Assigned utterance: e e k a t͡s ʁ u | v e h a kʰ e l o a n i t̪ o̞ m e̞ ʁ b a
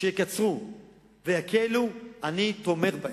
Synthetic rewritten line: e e k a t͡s ʁ u | v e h a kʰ e l u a n i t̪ o̞ m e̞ ʁ b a